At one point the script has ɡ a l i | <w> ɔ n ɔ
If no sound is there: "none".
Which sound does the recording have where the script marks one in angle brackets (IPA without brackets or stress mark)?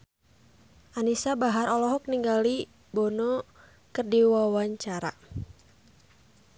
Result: b